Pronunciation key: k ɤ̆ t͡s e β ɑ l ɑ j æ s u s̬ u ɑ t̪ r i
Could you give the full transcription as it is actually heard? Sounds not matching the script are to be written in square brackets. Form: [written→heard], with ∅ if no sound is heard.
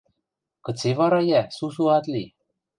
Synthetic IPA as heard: k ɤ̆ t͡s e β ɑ [l→ɾ] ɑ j æ s u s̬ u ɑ t̪ [r→l] i